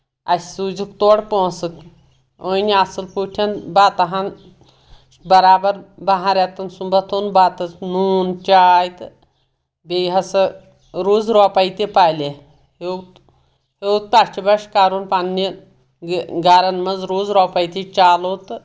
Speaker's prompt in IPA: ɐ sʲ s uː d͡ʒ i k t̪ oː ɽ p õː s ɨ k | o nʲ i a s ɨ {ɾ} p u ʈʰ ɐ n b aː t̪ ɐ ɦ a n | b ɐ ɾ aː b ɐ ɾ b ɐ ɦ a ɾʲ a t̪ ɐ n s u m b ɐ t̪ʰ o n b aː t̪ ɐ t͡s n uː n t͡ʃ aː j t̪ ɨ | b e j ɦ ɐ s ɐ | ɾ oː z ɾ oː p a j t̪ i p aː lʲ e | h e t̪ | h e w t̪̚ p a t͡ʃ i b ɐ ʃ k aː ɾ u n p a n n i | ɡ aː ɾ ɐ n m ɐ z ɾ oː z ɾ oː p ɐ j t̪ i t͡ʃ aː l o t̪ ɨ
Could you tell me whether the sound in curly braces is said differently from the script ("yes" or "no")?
yes